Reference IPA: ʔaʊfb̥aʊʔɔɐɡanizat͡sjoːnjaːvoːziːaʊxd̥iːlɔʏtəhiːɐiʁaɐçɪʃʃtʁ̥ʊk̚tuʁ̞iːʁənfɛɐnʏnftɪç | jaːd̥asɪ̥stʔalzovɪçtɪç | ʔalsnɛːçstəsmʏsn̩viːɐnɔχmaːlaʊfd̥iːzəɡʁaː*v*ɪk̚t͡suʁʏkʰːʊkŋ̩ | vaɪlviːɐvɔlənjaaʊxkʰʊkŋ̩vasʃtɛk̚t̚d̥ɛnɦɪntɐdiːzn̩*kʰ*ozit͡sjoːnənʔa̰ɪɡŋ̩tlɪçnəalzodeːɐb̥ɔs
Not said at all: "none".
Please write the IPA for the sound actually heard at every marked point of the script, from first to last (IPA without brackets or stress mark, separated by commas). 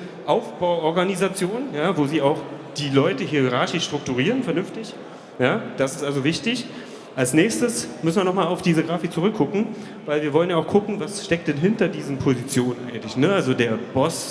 f, pʰ